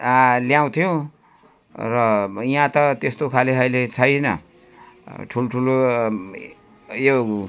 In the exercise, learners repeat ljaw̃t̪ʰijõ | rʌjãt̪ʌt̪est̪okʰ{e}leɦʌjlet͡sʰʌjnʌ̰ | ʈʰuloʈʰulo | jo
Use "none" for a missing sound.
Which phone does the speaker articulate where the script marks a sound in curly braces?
a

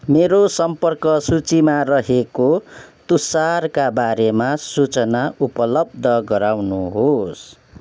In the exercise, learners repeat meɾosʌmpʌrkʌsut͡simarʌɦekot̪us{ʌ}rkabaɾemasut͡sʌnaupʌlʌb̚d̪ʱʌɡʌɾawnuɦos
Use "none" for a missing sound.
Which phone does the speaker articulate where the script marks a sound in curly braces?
a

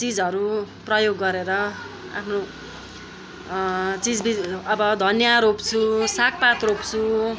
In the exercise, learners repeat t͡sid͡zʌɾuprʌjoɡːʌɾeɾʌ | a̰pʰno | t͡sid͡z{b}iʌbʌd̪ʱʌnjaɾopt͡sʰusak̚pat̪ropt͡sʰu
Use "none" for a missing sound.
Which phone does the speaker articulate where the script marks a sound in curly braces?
b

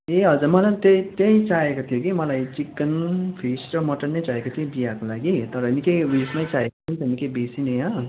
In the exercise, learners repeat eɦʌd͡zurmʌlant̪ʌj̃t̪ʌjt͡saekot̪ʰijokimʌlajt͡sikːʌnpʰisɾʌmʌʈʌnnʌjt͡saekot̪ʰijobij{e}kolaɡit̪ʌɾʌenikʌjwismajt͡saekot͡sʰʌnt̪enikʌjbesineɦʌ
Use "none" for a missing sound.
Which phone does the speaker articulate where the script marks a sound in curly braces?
a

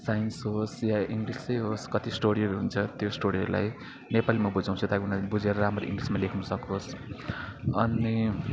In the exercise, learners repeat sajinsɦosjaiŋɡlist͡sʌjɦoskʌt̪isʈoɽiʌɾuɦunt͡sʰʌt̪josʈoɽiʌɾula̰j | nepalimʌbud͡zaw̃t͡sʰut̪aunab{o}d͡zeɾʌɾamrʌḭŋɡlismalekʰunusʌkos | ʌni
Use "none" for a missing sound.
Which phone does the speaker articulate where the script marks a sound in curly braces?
u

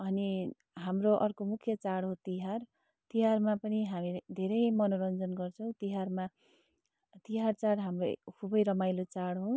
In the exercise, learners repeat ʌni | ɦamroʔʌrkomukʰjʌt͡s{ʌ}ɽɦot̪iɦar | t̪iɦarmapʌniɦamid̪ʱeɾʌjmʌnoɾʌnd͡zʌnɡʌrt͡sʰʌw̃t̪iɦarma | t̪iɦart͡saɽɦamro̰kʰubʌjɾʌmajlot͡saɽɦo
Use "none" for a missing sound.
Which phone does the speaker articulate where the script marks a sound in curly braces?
a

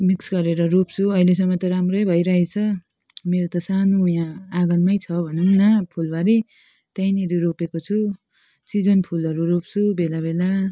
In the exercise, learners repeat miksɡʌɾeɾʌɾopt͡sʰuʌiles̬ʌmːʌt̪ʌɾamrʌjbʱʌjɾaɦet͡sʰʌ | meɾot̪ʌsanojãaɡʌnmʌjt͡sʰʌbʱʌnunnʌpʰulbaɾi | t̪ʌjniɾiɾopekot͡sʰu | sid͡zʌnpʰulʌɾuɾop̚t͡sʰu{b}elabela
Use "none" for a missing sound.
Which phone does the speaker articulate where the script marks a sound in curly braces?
b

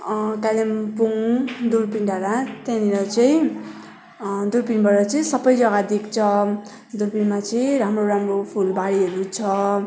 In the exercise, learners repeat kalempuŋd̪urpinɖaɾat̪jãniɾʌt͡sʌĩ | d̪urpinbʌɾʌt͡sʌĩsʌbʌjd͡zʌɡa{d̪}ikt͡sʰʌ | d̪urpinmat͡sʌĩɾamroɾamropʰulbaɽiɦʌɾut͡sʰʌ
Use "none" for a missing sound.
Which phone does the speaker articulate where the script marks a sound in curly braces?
d̪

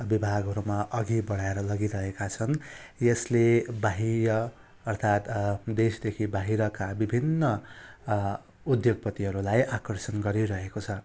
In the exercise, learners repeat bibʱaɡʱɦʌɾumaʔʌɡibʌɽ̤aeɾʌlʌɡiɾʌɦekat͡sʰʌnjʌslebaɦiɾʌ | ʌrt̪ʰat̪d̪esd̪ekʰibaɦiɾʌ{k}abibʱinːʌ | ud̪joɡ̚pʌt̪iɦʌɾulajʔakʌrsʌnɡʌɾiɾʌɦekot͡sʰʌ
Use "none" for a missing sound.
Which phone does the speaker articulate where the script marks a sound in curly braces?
k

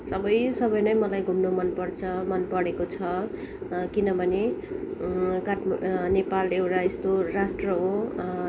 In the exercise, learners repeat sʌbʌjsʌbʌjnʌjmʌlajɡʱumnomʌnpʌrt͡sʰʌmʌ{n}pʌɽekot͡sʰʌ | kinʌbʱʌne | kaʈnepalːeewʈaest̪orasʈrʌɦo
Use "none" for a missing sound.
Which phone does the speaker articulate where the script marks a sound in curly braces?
n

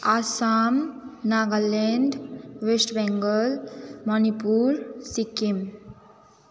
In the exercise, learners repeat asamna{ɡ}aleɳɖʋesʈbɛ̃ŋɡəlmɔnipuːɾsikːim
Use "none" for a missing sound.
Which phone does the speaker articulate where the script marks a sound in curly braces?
ɡ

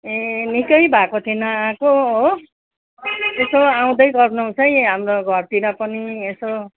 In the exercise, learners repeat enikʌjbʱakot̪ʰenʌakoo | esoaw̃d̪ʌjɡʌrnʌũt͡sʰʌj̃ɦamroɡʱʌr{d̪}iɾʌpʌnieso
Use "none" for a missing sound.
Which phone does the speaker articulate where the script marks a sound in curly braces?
t̪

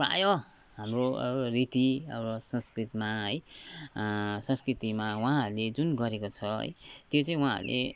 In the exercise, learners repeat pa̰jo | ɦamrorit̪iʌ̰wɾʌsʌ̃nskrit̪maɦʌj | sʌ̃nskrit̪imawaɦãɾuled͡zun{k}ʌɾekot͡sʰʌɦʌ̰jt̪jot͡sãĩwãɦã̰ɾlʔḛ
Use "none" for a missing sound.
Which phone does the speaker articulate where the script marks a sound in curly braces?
ɡ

